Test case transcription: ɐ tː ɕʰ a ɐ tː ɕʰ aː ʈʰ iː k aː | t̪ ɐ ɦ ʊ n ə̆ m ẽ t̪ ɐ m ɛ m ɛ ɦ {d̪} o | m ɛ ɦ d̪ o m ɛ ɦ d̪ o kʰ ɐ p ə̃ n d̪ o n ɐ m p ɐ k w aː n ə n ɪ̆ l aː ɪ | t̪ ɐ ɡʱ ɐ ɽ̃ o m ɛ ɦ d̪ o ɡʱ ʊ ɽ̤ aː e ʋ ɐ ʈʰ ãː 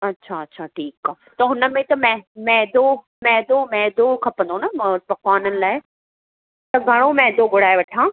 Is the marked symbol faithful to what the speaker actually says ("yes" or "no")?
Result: yes